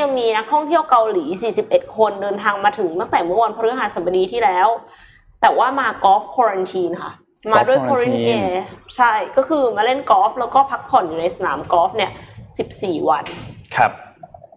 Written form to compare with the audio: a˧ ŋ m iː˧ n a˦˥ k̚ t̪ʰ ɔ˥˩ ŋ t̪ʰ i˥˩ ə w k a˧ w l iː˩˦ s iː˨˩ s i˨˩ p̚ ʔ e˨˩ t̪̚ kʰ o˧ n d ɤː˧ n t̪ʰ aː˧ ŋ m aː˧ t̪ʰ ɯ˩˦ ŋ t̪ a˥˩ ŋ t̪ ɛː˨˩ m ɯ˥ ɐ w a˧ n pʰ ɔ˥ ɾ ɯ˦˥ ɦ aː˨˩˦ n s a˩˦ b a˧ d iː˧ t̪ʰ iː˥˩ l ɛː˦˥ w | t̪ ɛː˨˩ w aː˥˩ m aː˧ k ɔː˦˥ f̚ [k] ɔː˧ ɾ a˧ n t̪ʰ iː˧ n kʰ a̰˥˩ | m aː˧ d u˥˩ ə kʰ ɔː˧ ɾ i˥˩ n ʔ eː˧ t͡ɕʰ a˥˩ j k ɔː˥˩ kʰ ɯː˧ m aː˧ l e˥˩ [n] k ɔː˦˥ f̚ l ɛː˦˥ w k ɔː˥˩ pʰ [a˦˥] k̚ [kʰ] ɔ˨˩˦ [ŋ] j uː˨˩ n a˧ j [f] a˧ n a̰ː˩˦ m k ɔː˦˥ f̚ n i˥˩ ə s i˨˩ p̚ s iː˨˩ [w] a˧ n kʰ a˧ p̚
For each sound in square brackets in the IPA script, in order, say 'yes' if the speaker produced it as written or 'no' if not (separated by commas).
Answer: no, yes, yes, no, no, no, yes